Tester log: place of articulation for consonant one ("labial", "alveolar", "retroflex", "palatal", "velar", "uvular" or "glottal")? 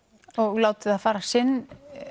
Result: velar